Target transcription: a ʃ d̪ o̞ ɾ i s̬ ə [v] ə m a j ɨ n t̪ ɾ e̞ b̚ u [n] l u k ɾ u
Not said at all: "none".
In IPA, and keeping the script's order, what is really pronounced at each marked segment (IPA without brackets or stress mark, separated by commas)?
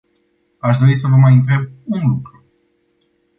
v, n